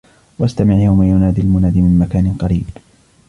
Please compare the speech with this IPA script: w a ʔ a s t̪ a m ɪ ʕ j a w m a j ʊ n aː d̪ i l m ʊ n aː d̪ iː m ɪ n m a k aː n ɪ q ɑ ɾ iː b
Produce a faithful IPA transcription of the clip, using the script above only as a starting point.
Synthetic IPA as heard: w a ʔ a s t̪ a m ɪ ʕ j a w m a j ʊ n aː d̪ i l m ʊ n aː d̪ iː m ɪ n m a k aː n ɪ q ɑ ɾ iː b